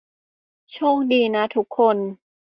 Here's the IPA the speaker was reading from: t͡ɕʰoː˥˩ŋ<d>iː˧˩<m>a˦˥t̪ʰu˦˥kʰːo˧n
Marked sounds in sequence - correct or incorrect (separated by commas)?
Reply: correct, incorrect